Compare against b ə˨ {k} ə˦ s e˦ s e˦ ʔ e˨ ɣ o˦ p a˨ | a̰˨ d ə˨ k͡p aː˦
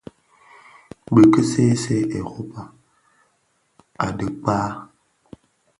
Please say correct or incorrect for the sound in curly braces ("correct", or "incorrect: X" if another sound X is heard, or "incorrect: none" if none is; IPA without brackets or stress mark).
correct